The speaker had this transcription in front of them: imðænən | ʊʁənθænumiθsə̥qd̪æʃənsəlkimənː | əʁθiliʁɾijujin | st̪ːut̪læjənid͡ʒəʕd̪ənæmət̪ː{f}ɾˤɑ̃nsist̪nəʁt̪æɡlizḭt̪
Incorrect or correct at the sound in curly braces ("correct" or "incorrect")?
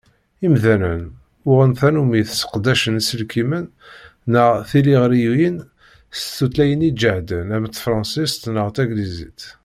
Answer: correct